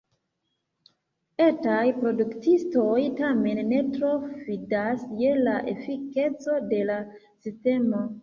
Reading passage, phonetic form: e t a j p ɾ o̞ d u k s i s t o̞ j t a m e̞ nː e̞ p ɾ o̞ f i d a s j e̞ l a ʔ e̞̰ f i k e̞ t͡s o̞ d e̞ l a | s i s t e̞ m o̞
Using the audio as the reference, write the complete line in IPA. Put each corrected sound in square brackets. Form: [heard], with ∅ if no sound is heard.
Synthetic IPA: e t a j p ɾ o̞ d u k [t] i s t o̞ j t a m e̞ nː e̞ [t] ɾ o̞ f i d a s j e̞ l a ʔ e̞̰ f i k e̞ t͡s o̞ d e̞ l a | s i s t e̞ m o̞